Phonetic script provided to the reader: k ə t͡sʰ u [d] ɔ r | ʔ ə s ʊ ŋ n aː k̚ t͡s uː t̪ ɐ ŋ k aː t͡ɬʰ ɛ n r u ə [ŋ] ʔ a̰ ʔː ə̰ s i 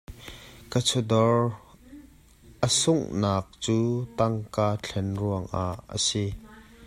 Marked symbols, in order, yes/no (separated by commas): yes, yes